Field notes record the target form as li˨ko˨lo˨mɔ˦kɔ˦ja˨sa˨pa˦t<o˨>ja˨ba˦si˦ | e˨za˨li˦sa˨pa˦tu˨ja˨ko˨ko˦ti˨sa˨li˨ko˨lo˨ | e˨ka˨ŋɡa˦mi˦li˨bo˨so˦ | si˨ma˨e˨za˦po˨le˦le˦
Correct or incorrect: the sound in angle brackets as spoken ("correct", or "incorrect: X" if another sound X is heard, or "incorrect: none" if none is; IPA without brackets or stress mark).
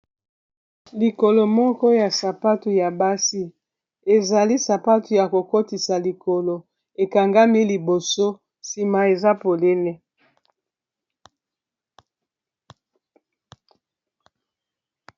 incorrect: u˨